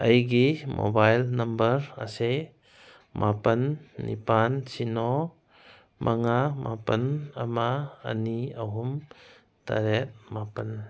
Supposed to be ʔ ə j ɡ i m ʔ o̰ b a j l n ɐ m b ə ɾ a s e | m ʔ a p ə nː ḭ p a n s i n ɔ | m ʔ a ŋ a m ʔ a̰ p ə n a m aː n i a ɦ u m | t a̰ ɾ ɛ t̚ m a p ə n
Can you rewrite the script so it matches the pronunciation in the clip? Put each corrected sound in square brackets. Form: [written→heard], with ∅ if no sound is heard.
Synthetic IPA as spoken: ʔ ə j ɡ i m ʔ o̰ b a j l n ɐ m b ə ɾ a s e | m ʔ a p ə nː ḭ p a n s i n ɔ | m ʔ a ŋ a m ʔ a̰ p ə n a m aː n i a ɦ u m | t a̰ ɾ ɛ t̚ m a p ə n

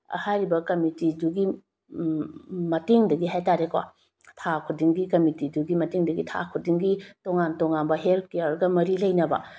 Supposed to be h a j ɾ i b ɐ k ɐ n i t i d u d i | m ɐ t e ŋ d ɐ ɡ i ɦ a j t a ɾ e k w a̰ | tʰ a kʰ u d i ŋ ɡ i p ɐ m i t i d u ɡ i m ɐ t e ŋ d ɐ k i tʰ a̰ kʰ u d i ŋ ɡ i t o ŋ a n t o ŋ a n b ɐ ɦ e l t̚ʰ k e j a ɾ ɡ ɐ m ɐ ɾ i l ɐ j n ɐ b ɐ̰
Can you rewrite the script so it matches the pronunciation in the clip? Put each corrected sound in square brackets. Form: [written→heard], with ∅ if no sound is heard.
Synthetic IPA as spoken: h a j ɾ i b ɐ k ɐ [n→m] i t i d u [d→ɡ] i | m ɐ t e ŋ d ɐ ɡ i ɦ a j t a ɾ e k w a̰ | tʰ a kʰ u d i ŋ ɡ i [p→k] ɐ m i t i d u ɡ i m ɐ t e ŋ d ɐ [k→ɡ] i tʰ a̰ kʰ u d i ŋ ɡ i t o ŋ a n t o ŋ a n b ɐ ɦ e l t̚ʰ k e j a ɾ ɡ ɐ m ɐ ɾ i l ɐ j n ɐ b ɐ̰

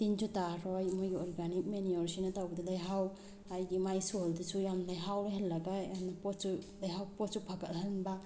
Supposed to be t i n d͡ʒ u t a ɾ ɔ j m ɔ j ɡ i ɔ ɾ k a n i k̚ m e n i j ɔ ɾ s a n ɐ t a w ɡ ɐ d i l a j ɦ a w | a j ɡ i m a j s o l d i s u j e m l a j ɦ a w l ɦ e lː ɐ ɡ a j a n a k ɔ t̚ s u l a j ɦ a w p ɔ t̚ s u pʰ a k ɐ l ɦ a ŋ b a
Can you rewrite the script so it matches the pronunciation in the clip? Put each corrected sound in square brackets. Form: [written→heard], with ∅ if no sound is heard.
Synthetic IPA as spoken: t i n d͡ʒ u t a ɾ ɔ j m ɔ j ɡ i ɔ ɾ [k→ɡ] a n i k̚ m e n i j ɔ ɾ s [a→i] n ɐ t a w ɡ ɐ d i l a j ɦ a w | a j ɡ i m a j s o l d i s u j [e→a] m l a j ɦ a w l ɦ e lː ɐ ɡ a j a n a [k→p] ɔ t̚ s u l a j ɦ a w p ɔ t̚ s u pʰ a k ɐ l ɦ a [ŋ→n] b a

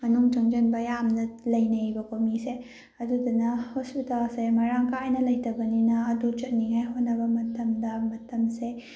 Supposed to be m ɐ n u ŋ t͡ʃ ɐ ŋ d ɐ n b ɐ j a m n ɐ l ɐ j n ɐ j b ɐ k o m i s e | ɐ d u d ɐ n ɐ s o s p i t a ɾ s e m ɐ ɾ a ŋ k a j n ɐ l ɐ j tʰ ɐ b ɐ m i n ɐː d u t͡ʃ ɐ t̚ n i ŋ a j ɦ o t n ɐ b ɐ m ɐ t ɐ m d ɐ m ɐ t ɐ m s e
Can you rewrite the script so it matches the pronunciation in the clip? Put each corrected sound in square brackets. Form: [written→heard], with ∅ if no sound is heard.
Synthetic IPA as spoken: m ɐ n u ŋ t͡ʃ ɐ ŋ [d→d͡ʒ] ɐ n b ɐ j a m n ɐ l ɐ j n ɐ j b ɐ k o m i s e | ɐ d u d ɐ n ɐ [s→h] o s p i t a [ɾ→l] s e m ɐ ɾ a ŋ k a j n ɐ l ɐ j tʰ ɐ b ɐ [m→n] i n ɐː d u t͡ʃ ɐ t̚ n i ŋ a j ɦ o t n ɐ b ɐ m ɐ t ɐ m d ɐ m ɐ t ɐ m s e

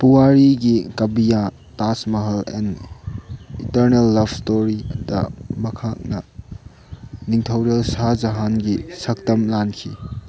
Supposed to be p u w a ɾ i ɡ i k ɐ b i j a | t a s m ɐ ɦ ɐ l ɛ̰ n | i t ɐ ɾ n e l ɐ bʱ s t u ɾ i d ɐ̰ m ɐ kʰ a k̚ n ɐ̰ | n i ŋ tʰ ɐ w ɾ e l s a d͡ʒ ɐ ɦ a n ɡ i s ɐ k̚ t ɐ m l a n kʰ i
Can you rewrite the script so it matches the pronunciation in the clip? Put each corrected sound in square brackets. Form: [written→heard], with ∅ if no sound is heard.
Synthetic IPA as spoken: p u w a ɾ i ɡ i k ɐ b i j a | t a s m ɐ ɦ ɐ l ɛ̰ n | i t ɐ ɾ n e [l→lː] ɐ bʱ s t [u→o] ɾ i d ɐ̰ m ɐ kʰ a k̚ n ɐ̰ | n i ŋ tʰ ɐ w ɾ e l s a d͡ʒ ɐ ɦ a n ɡ i s ɐ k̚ t ɐ m l a n kʰ i

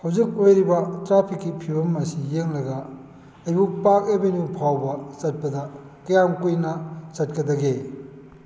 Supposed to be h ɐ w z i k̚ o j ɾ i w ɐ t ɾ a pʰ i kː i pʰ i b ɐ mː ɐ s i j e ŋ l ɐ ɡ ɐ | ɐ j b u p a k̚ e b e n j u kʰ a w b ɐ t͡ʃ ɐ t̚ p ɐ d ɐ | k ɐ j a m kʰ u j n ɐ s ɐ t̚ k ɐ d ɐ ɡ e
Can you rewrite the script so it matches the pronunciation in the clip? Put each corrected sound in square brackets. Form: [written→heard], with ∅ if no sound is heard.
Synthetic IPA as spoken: h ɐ w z i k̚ o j ɾ i [w→b] ɐ t ɾ a pʰ i kː i pʰ i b ɐ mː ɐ s i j e ŋ l ɐ ɡ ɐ | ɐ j b u p a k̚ e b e n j u [kʰ→pʰ] a w b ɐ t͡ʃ ɐ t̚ p ɐ d ɐ | k ɐ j a m [kʰ→k] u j n ɐ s ɐ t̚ k ɐ d ɐ ɡ e

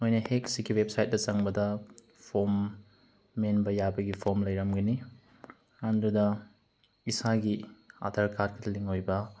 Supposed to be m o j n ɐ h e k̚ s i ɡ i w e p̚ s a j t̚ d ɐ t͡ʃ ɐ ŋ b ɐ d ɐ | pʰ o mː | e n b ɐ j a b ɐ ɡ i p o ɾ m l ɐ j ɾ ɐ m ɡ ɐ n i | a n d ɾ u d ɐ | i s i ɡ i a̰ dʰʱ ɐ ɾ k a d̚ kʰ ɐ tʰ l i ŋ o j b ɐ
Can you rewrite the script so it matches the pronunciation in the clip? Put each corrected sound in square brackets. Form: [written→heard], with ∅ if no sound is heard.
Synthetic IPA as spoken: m o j n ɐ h e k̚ s i ɡ i w e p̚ s a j t̚ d ɐ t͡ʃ ɐ ŋ b ɐ d ɐ | pʰ o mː | e n b ɐ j a b ɐ ɡ i [p→pʰ] o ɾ m l ɐ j ɾ ɐ m ɡ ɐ n i | a n d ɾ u d ɐ | i s [i→a] ɡ i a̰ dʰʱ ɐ ɾ k a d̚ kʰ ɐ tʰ l i ŋ o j b ɐ

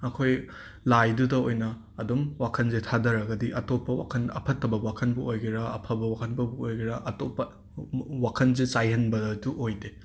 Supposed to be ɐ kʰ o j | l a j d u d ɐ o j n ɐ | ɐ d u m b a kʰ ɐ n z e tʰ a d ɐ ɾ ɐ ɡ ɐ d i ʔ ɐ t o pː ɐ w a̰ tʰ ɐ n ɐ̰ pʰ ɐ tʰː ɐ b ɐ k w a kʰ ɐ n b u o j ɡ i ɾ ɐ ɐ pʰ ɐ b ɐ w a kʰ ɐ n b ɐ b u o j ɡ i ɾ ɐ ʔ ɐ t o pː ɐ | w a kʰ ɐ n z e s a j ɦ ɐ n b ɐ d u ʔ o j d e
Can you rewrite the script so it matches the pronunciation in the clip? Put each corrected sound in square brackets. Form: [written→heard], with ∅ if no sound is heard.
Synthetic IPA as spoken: ɐ kʰ o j | l a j d u d ɐ o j n ɐ | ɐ d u m [b→w] a kʰ ɐ n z e tʰ a d ɐ ɾ ɐ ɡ ɐ d i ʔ ɐ t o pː ɐ w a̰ [tʰ→kʰ] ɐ n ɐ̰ pʰ ɐ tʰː ɐ b ɐ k w a kʰ ɐ n b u o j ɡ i ɾ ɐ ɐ pʰ ɐ b ɐ w a kʰ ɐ n b ɐ b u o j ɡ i ɾ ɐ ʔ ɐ t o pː ɐ | w a kʰ ɐ n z e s a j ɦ ɐ n b ɐ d u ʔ o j d e

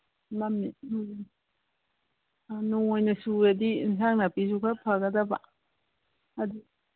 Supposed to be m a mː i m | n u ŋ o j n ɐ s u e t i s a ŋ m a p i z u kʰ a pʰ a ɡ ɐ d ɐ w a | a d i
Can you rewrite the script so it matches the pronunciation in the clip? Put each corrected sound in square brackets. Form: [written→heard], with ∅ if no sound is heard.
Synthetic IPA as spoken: m a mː i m | n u ŋ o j n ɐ s u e [t→d] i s a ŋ [m→n] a p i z u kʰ a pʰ a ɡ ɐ d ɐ [w→b] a | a d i

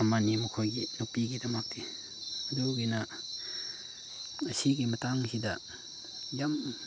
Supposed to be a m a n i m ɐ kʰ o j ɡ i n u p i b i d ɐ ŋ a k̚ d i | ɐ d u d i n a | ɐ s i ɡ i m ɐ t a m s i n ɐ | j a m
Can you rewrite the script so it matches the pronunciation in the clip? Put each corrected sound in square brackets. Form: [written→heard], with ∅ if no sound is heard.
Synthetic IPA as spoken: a m a n i m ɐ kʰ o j ɡ i n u p i [b→ɡ] i d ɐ [ŋ→m] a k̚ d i | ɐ d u [d→ɡ] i n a | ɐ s i ɡ i m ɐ t a [m→ŋ] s i [n→d] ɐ | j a m

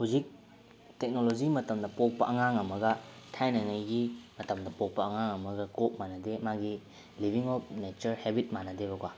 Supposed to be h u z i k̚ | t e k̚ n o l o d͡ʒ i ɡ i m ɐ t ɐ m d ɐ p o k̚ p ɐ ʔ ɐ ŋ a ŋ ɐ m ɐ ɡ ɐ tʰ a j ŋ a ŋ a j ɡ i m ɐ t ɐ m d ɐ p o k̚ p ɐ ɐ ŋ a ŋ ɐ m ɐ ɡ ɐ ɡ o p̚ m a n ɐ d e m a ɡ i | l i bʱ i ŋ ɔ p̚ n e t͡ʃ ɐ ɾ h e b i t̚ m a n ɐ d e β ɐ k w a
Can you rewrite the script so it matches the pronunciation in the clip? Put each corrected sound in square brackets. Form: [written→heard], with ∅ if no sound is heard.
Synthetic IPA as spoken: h u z i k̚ | t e k̚ n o l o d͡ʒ i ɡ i m ɐ t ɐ m d ɐ p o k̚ p ɐ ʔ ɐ ŋ a ŋ ɐ m ɐ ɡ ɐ tʰ a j [ŋ→n] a ŋ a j ɡ i m ɐ t ɐ m d ɐ p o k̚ p ɐ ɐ ŋ a ŋ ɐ m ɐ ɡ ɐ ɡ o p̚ m a n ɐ d e m a ɡ i | l i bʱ i ŋ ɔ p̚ n e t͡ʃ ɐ ɾ h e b i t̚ m a n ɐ d e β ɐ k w a

